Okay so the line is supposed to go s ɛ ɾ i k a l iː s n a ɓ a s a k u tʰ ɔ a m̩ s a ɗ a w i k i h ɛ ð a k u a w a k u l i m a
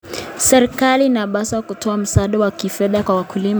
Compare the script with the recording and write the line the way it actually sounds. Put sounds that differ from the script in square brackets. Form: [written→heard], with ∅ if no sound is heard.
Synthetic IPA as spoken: s ɛ ɾ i k a l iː [s→∅] n a ɓ a s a k u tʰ ɔ a m̩ s a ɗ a w [i→a] k i [h→f] ɛ ð a k [u→w] a w a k u l i m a